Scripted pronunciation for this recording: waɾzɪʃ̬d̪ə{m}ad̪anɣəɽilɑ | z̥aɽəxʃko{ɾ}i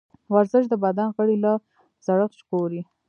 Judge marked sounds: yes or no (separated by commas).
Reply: no, yes